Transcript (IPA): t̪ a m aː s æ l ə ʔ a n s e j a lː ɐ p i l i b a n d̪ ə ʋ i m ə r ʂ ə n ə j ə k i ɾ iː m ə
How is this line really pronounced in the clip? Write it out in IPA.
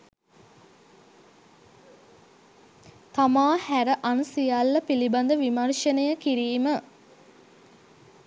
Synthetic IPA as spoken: t̪ a m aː h æ ɾ ə ʔ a n s i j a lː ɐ p i l i b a n d̪ ə ʋ i m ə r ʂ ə n ə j ə k i ɾ iː m ə